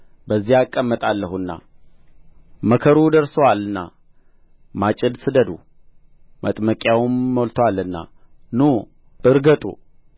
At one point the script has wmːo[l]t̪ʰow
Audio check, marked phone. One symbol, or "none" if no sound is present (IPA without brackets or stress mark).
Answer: l